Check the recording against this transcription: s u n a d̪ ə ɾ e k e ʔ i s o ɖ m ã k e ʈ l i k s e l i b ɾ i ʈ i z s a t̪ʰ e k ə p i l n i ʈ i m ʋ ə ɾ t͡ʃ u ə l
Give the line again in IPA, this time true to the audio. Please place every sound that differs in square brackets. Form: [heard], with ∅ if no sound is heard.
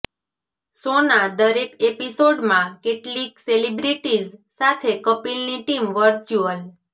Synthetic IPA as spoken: s [o] n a d̪ ə ɾ e k e [p] i s o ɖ m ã k e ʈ l i k s e l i b ɾ i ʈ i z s a t̪ʰ e k ə p i l n i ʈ i m ʋ ə ɾ t͡ʃ u ə l